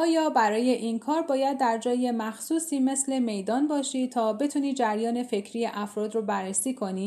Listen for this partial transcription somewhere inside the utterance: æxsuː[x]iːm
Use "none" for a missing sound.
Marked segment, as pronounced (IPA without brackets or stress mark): s